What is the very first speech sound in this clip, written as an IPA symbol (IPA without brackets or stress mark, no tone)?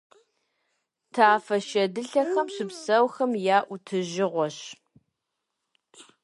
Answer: tʰ